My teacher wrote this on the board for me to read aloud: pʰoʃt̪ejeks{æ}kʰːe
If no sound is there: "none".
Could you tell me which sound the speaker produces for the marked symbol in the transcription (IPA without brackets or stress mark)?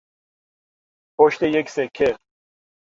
e